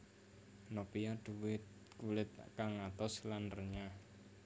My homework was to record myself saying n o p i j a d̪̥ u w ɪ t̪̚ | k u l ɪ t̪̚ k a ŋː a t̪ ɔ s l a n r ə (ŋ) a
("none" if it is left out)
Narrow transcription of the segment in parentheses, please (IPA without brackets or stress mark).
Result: ɲ